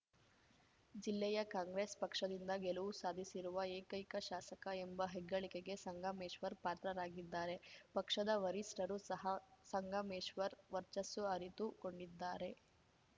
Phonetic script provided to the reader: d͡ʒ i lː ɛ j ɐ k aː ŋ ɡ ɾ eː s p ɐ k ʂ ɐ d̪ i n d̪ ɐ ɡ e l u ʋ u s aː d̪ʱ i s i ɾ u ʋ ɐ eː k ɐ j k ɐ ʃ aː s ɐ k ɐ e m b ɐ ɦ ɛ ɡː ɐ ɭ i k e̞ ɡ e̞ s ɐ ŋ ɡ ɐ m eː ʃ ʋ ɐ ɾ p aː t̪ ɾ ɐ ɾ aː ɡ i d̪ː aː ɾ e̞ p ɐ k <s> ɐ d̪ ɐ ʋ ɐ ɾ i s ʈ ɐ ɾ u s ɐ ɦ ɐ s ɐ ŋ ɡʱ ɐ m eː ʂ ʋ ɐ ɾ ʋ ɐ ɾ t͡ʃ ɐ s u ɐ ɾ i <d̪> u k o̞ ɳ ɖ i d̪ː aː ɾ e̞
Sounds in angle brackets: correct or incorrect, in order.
incorrect, incorrect

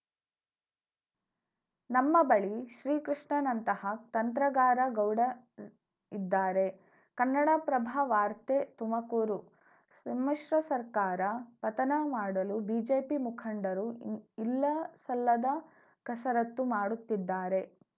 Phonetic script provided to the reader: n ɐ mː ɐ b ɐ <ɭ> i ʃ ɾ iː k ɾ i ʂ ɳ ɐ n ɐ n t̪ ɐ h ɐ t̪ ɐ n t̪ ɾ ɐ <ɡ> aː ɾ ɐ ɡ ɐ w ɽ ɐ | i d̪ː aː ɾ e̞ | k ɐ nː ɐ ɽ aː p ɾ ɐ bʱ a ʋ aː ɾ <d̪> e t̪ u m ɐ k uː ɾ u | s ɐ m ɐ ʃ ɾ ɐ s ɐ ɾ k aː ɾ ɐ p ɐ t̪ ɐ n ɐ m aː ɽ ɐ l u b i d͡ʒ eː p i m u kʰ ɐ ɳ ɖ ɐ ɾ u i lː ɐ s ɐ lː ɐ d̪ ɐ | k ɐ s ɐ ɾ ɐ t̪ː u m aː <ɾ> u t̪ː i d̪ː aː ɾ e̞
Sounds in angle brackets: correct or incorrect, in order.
correct, correct, incorrect, incorrect

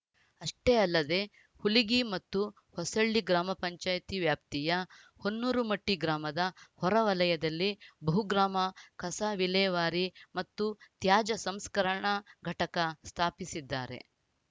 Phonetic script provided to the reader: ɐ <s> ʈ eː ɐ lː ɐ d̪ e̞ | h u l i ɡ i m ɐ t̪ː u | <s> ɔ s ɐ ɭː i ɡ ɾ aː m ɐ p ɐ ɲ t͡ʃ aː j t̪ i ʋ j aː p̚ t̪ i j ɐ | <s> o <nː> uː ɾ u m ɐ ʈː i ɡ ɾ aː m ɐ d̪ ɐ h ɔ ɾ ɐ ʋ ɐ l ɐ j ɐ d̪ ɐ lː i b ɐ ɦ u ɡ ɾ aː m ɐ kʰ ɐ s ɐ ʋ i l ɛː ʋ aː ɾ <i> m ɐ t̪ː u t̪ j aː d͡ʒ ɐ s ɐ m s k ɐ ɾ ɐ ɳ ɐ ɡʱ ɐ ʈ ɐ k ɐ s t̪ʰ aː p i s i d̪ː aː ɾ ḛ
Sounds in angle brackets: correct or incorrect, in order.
incorrect, incorrect, incorrect, correct, correct

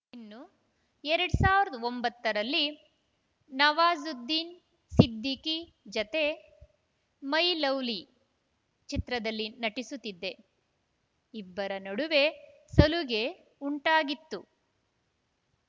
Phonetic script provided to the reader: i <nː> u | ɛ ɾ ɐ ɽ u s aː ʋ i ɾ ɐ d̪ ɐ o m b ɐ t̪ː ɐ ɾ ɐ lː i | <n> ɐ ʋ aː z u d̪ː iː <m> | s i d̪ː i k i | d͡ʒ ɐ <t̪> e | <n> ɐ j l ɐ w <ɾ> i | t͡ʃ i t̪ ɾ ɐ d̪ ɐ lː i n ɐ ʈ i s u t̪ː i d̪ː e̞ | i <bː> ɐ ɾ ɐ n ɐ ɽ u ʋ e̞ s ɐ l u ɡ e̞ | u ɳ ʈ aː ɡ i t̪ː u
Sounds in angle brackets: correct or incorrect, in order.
correct, correct, incorrect, correct, incorrect, incorrect, correct

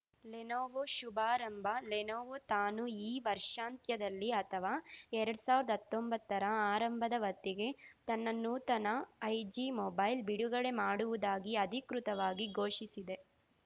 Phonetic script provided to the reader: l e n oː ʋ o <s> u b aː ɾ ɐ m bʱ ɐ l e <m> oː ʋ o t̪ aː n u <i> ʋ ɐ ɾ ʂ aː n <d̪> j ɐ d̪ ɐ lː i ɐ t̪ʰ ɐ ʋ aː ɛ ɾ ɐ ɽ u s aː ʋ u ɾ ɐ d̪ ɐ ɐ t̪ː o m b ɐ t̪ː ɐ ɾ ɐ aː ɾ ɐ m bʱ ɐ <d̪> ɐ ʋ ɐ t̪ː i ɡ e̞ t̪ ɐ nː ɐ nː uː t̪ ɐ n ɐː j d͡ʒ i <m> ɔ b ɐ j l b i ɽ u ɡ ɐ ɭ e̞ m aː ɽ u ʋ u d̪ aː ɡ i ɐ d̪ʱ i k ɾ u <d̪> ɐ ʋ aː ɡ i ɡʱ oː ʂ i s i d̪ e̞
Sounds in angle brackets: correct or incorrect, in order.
incorrect, incorrect, incorrect, incorrect, correct, correct, incorrect

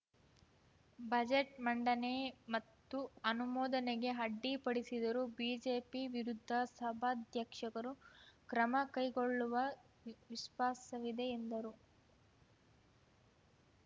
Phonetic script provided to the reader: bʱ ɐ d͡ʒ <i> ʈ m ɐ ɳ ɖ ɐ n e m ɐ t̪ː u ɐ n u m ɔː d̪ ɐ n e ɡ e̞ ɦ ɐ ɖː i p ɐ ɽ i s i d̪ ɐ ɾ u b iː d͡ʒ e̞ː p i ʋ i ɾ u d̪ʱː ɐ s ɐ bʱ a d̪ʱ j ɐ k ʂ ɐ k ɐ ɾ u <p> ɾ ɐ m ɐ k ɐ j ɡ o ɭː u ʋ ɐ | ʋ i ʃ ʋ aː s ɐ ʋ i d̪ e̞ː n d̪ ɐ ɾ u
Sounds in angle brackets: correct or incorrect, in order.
incorrect, incorrect

